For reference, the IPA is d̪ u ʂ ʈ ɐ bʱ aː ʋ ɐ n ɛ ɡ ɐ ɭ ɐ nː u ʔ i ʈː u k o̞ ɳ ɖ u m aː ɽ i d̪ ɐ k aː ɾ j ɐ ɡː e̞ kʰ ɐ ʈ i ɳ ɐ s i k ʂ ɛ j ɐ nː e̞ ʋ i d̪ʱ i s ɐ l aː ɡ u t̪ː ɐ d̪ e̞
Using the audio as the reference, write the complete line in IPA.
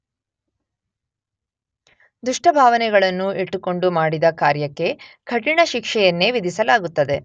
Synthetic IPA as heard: d̪ u ʂ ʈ ɐ bʱ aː ʋ ɐ n ɛ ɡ ɐ ɭ ɐ nː u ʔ i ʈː u k o̞ ɳ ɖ u m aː ɽ i d̪ ɐ k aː ɾ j ɐ kː e̞ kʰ ɐ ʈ i ɳ ɐ ʃ i k ʂ ɛ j ɐ nː e̞ ʋ i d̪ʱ i s ɐ l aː ɡ u t̪ː ɐ d̪ e̞

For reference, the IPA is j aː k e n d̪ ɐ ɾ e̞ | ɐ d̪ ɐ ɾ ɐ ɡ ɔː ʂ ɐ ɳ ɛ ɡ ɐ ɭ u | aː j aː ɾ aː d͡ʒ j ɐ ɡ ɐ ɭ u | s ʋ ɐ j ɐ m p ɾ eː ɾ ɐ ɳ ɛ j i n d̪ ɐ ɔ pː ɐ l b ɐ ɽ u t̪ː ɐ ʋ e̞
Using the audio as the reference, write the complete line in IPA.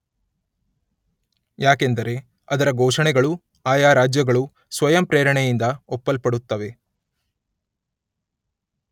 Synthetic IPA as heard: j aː k e n d̪ ɐ ɾ e̞ | ɐ d̪ ɐ ɾ ɐ ɡ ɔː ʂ ɐ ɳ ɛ ɡ ɐ ɭ u | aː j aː ɾ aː d͡ʒ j ɐ ɡ ɐ ɭ u | s ʋ ɐ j ɐ m p ɾ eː ɾ ɐ ɳ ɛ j i n d̪ ɐ ɔ pː ɐ l p ɐ ɽ u t̪ː ɐ ʋ e̞

